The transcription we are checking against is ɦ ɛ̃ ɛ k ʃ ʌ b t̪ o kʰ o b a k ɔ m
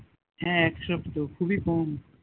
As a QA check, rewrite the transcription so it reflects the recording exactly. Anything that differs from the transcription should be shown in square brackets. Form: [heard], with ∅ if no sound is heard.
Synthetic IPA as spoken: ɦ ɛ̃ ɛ k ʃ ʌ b t̪ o kʰ [u] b [i] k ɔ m